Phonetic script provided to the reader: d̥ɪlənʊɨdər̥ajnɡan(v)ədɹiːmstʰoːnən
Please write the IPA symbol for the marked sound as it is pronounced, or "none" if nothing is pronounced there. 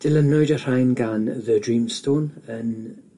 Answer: ð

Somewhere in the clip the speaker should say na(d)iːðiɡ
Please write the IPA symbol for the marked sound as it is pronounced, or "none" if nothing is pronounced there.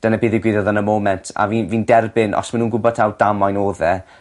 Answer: b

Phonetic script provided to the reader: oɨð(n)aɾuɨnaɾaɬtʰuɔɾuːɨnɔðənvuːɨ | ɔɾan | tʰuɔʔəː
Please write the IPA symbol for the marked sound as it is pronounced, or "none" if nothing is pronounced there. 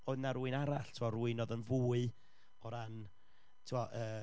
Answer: n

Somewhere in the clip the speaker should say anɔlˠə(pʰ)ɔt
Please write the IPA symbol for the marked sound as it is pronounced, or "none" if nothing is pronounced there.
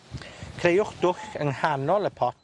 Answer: pʰ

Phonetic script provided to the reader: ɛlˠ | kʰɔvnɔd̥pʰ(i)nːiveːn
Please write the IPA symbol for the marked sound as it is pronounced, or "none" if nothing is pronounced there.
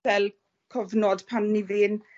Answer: a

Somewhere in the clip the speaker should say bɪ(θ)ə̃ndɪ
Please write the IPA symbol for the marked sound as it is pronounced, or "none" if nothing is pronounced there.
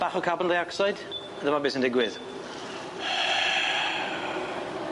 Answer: s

